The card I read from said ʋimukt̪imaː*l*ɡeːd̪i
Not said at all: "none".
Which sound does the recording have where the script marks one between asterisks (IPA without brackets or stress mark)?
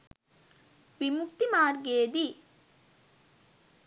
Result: ɾ